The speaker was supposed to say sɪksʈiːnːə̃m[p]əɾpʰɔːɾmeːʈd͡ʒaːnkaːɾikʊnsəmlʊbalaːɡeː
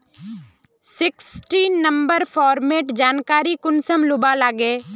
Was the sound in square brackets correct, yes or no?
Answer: no